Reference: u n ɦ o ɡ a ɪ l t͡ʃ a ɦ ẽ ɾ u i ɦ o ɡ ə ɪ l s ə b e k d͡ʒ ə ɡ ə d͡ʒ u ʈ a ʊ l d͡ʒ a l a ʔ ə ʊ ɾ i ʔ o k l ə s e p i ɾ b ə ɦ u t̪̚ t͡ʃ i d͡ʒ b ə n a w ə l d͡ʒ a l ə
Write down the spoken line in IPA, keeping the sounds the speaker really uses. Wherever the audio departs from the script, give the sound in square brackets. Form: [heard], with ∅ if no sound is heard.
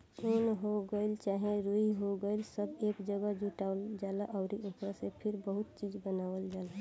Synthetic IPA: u n ɦ o ɡ [ə] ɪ l t͡ʃ a ɦ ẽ ɾ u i ɦ o ɡ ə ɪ l s ə b e k d͡ʒ ə ɡ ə d͡ʒ u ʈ a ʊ l d͡ʒ a l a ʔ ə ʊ ɾ i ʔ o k [ɾ] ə s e [pʰ] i ɾ b ə ɦ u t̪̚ t͡ʃ i d͡ʒ b ə n a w ə l d͡ʒ a l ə